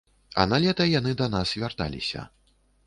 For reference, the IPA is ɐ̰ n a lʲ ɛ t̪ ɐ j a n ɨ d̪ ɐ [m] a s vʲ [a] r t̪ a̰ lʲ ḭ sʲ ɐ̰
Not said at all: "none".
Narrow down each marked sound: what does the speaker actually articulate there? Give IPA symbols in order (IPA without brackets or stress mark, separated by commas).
n, a